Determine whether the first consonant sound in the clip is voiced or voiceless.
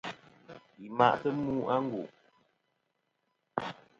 voiced